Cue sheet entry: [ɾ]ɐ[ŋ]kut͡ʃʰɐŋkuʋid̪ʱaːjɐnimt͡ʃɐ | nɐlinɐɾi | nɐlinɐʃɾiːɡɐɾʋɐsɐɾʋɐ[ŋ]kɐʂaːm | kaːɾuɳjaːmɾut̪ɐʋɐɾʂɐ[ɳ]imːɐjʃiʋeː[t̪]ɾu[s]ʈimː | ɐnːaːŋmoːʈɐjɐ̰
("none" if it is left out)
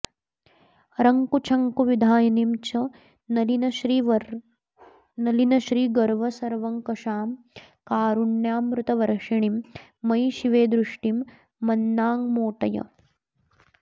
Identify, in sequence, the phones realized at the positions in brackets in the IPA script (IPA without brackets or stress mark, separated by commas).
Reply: ɾ, ŋ, ŋ, ɳ, d̪, ʂ